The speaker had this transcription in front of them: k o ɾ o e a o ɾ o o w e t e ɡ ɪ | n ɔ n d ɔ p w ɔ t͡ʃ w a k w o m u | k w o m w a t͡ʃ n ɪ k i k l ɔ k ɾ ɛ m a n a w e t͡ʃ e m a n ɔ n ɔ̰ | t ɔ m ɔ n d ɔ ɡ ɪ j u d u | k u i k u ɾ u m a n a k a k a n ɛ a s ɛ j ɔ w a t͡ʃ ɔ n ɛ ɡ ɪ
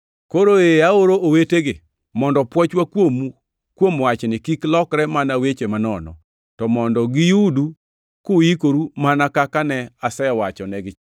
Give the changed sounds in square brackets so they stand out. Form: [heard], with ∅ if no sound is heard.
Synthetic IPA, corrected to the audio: k o ɾ o e a o ɾ o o w e t e ɡ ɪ | [m] ɔ n d ɔ p w ɔ t͡ʃ w a k w o m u | k w o m w a t͡ʃ n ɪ k i k l ɔ k ɾ ɛ m a n a w e t͡ʃ e m a n ɔ n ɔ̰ | t ɔ m ɔ n d ɔ ɡ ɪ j u d u | k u i k [o] ɾ u m a n a k a k a n ɛ a s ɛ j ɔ w a t͡ʃ ɔ n ɛ ɡ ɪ